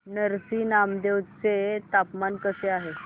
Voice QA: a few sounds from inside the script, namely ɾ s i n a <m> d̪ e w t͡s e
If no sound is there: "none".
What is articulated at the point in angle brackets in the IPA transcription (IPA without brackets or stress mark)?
m